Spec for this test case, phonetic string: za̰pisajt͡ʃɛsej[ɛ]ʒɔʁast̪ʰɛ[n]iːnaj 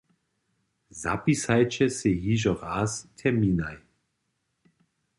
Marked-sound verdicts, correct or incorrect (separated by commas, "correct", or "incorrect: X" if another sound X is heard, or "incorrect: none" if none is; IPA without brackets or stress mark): incorrect: i, incorrect: m